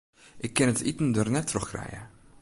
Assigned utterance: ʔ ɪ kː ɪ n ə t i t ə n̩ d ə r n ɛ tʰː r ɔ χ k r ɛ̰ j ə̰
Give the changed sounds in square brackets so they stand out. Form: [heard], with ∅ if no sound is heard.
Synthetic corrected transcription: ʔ ɪ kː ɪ n ə t i t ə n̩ d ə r n ɛ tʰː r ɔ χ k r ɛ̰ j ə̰